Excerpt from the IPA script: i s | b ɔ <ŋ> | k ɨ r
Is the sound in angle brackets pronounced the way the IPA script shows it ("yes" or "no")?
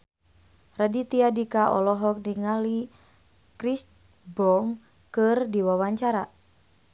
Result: yes